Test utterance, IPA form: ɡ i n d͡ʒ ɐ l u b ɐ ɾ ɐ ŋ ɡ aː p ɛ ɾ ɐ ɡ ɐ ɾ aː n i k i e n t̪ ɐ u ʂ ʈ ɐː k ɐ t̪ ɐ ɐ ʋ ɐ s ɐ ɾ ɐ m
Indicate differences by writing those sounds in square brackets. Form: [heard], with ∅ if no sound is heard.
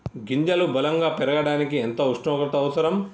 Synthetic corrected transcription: ɡ i [ɲ] d͡ʒ ɐ l u b ɐ [l] ɐ ŋ ɡ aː p ɛ ɾ ɐ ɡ ɐ [ɽ] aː n i k i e n t̪ ɐ u ʂ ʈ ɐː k ɐ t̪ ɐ ɐ ʋ ɐ s ɐ ɾ ɐ m